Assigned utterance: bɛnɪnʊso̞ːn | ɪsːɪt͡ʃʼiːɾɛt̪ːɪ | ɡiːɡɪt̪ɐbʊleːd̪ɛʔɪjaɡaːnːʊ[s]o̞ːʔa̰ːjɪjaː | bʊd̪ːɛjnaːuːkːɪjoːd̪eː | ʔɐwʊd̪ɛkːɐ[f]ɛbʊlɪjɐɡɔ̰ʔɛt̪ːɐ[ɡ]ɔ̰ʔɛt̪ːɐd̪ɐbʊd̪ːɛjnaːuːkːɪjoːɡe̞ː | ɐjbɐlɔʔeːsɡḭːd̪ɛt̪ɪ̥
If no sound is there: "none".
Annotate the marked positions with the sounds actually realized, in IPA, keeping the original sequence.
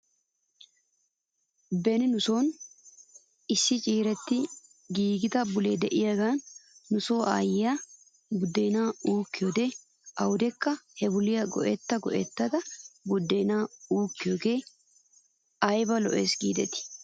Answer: s, h, ɡ

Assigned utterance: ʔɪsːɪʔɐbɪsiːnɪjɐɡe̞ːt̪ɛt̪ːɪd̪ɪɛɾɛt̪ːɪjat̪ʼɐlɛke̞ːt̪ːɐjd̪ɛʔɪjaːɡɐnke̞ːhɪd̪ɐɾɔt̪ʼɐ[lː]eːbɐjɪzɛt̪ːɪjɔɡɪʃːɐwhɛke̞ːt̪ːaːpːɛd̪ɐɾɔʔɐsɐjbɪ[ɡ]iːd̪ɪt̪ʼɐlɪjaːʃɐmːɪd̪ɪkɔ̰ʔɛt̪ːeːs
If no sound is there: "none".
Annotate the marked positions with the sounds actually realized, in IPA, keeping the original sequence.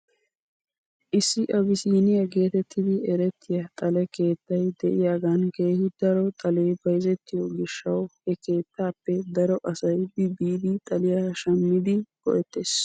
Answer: l, b

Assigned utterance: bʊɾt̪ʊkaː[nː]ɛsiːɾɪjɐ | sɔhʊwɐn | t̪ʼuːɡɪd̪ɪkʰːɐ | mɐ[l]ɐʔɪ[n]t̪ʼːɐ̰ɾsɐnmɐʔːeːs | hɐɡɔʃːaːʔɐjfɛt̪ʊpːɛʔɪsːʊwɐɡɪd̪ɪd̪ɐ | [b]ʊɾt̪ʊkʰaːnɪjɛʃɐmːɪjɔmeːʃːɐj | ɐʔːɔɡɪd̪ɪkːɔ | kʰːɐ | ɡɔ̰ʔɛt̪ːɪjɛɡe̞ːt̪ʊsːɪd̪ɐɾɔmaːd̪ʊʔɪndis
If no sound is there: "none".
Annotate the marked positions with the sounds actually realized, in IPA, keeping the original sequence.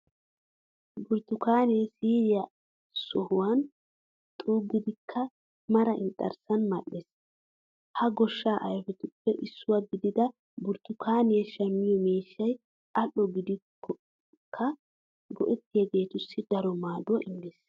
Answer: n, ɾ, n, b

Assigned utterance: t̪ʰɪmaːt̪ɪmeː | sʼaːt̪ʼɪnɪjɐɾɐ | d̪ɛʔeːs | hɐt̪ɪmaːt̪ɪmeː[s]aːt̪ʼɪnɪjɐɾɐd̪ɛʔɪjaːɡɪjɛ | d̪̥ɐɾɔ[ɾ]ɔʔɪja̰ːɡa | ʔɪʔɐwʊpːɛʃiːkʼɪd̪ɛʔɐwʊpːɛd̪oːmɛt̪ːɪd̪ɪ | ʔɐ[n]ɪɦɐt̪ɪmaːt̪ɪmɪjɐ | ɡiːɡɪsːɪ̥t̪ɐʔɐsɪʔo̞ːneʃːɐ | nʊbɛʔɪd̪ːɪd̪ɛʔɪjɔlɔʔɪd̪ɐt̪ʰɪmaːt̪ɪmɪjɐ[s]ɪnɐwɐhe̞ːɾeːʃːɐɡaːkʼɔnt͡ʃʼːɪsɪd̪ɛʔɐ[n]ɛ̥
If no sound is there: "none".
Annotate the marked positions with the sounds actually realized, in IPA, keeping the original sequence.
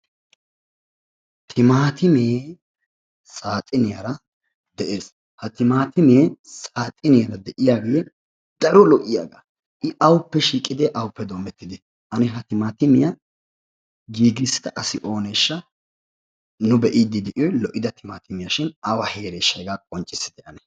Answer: s, l, n, ʃ, n

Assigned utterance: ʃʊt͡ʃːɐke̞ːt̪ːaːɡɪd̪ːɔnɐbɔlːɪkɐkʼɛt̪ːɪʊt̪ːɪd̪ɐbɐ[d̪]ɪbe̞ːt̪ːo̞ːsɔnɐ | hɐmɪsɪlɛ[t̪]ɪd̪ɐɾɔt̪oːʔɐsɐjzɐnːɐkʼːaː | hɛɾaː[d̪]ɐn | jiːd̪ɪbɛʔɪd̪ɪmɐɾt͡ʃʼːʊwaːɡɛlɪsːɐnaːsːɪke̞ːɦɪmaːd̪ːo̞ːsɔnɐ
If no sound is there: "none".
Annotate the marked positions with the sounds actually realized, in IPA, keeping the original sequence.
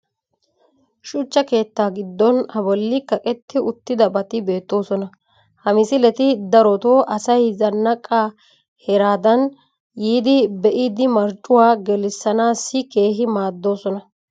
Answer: t̪, t̪, d̪

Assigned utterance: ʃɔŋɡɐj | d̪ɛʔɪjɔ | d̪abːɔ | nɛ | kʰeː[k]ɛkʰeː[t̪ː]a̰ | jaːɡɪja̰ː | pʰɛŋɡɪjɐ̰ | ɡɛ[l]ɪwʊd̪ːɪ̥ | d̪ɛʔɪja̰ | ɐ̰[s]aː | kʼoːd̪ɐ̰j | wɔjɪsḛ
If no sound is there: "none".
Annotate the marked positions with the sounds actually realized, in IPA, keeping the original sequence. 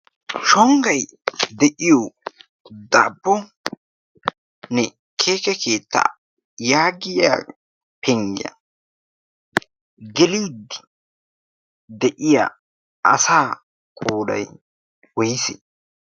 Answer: k, t̪ː, l, s

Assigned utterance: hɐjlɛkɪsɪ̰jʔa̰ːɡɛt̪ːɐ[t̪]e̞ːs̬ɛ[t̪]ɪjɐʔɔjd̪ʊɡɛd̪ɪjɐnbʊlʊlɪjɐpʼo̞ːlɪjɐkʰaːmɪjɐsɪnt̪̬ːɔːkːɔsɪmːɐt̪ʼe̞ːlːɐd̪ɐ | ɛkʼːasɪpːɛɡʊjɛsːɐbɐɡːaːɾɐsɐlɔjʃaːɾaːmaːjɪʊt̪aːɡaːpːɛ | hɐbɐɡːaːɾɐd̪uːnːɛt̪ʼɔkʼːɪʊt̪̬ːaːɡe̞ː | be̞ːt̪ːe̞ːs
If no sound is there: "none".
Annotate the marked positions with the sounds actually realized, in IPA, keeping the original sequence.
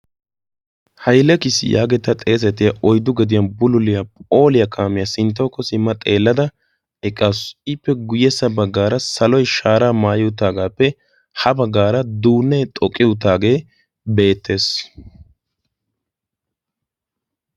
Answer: t̪ʼ, t̪

